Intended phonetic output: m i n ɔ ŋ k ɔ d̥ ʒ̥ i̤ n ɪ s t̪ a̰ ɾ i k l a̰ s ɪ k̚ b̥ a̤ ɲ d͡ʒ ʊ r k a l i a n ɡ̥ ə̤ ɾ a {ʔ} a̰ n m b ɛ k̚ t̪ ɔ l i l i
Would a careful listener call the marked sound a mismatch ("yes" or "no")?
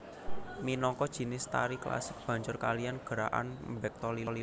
no